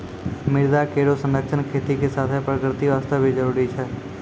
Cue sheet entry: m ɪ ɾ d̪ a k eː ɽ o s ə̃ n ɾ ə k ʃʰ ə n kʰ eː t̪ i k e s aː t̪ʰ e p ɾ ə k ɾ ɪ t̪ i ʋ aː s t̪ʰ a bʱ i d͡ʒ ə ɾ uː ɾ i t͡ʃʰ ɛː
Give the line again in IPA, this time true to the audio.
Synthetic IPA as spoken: m ɪ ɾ d̪ a k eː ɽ o s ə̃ n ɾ ə k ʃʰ ə n kʰ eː t̪ i k e s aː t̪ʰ e p ɾ ə k ɾ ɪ t̪ i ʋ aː s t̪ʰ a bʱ i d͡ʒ ə ɾ uː ɾ i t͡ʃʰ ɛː

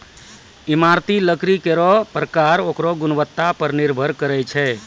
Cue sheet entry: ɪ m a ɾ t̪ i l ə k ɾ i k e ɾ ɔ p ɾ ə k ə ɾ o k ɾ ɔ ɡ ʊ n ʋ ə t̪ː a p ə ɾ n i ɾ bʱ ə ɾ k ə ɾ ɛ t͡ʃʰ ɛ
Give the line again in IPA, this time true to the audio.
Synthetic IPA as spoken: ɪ m a ɾ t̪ i l ə k ɾ i k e ɾ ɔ p ɾ ə k a ɾ o k ɾ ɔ ɡ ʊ n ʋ ə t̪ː a p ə ɾ n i ɾ bʱ ə ɾ k ə ɾ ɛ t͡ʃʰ ɛ

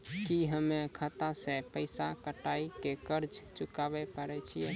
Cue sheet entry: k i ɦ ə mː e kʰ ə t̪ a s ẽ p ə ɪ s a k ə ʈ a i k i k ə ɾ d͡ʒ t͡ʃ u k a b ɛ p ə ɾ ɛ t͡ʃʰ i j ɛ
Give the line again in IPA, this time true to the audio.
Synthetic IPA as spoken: k i ɦ ə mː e kʰ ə t̪ a s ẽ p ə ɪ s a k ə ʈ a i k e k ə ɾ d͡ʒ t͡ʃ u k a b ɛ p ə ɾ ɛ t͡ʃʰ i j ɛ

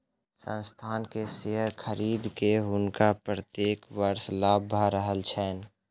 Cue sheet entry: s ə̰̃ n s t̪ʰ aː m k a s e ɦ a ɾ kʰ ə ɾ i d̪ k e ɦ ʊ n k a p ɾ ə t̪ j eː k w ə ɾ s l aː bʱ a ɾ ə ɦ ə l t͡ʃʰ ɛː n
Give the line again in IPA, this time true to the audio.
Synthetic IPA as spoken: s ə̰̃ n s t̪ʰ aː n k e s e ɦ ə ɾ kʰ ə ɾ iː d̪ k e ɦ ʊ n k a p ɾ ə t̪ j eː k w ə ɾ s l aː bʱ a ɾ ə ɦ ə l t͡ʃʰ ɛː n

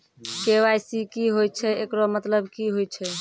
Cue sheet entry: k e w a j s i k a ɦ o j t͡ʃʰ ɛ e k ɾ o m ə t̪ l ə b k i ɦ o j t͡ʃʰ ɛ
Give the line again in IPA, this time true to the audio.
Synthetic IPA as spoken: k e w a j s i k i ɦ o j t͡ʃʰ ɛ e k ɾ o m ə t̪ l ə b k i ɦ o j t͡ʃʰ ɛ

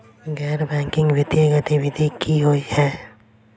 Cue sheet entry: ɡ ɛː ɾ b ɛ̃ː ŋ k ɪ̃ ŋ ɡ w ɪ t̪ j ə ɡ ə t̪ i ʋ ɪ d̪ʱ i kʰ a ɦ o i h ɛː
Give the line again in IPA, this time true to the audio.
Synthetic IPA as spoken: ɡ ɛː ɾ b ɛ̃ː ŋ k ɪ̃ ŋ ɡ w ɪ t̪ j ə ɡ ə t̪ i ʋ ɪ d̪ʱ i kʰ i ɦ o i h ɛː

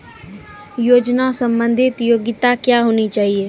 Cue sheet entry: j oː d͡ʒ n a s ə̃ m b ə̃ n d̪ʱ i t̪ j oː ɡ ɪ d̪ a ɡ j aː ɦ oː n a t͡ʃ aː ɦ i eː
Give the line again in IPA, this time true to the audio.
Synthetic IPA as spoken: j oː d͡ʒ n a s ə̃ m b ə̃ n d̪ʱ ɪ t̪ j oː ɡ ɪ t̪ a k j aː ɦ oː n i t͡ʃ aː ɦ i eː

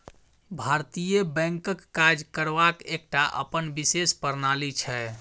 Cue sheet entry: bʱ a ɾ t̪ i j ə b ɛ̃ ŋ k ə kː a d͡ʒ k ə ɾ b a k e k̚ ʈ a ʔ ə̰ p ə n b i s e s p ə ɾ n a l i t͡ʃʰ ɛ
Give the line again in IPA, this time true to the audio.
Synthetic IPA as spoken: bʱ a ɾ t̪ i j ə b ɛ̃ ŋ k ə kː a d͡ʒ k ə ɾ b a k e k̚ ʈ a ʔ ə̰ p ə n b i s e s p ə ɾ n a l i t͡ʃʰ ɛ

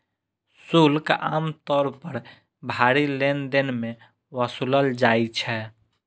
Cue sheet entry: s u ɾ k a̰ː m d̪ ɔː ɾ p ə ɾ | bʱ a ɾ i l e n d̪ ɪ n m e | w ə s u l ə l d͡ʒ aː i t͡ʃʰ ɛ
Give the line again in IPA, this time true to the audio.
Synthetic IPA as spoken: s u l k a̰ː m t̪ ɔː ɾ p ə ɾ | bʱ a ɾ i l e n d̪ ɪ n m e | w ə s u l ə l d͡ʒ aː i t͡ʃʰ ɛ

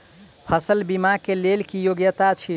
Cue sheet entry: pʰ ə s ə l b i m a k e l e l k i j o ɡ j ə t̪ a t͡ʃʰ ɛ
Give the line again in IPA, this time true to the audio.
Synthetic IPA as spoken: pʰ ə s ə l b i m a k e l e l k i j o ɡ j ə t̪ a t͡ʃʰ i

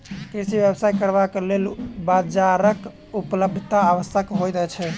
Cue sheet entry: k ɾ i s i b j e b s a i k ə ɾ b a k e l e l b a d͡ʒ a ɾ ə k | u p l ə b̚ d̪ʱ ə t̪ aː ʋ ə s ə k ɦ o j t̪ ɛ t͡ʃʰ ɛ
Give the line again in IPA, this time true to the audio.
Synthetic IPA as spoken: k ɾ i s i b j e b s a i k ə ɾ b a k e l e l b a d͡ʒ a ɾ ə k | u p l ə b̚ d̪ʱ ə t̪ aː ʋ ə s ə k ɦ o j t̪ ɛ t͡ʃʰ ɛ

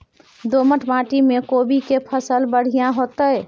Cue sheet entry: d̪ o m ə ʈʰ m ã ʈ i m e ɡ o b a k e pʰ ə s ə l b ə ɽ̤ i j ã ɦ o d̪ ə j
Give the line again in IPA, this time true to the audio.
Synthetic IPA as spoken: d̪ o m ə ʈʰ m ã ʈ i m e k o b i k e pʰ ə s ə l b ə ɽ̤ i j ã ɦ o t̪ ə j

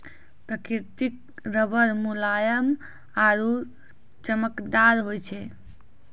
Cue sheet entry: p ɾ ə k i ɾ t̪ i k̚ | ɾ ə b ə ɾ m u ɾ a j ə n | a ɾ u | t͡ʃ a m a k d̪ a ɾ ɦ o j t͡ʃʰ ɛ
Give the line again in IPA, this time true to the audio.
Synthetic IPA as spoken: p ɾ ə k i ɾ t̪ i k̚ | ɾ ə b ə ɾ m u l a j ə m | a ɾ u | t͡ʃ ə m ə k d̪ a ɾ ɦ o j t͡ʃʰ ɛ

